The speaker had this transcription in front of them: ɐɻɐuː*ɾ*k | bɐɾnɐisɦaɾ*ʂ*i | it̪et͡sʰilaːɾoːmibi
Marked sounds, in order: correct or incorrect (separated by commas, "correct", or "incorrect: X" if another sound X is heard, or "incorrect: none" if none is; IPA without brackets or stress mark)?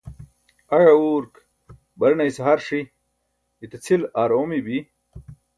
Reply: correct, correct